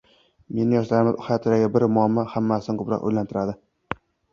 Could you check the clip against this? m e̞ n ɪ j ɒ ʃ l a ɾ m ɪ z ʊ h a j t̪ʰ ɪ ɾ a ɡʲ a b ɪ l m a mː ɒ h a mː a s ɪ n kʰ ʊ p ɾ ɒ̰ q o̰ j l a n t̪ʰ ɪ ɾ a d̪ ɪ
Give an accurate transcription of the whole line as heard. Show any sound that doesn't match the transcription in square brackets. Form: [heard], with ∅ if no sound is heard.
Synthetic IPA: m e̞ n ɪ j ɒ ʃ l a ɾ m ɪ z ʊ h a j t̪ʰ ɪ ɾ a ɡʲ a b ɪ [ɾ] m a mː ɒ h a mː a s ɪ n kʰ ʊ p ɾ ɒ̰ q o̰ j l a n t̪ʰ ɪ ɾ a d̪ ɪ